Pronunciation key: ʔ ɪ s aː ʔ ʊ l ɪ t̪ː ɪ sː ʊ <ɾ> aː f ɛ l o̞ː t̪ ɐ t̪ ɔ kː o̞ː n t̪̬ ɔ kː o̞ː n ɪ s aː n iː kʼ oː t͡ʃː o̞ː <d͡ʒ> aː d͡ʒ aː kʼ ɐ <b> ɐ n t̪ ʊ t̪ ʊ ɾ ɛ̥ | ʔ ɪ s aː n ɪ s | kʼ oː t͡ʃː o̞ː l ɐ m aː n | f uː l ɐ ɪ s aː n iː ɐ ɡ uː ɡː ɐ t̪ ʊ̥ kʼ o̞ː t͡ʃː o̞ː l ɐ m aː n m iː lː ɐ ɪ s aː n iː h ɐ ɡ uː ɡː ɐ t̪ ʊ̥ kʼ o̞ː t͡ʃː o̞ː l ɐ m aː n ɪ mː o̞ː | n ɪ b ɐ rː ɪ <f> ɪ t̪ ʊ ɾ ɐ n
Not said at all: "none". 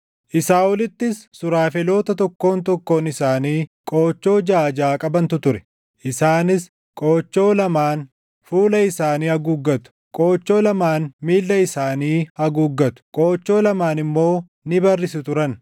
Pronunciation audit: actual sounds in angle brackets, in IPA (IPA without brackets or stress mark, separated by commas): ɾ, d͡ʒ, b, s